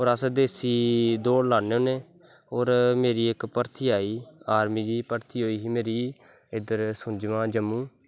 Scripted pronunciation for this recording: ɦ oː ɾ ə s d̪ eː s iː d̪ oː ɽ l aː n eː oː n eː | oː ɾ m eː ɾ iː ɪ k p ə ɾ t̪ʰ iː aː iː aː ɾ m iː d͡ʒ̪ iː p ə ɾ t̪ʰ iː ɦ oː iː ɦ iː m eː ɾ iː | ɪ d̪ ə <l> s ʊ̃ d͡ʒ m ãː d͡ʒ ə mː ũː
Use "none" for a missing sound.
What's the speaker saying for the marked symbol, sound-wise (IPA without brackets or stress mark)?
ɾ